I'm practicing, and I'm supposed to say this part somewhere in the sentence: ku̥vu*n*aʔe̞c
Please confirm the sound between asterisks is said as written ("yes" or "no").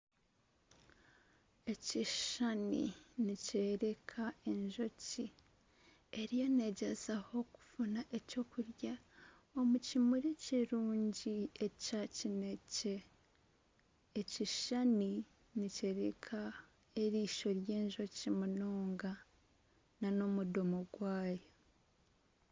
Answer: yes